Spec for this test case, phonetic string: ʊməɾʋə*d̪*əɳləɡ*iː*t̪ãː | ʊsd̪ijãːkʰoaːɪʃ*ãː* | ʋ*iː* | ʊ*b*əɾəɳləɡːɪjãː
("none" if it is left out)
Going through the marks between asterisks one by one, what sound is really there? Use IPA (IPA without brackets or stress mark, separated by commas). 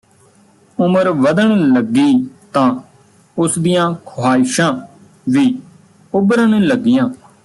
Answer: d̪, iː, ãː, iː, b